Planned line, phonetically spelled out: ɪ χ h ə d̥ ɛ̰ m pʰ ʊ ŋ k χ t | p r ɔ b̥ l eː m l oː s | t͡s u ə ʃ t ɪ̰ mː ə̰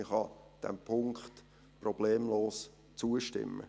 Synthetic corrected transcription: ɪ χ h ɑ d̥ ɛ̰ m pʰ ʊ ŋ k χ t | p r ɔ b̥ l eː m l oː s | t͡s u ə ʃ t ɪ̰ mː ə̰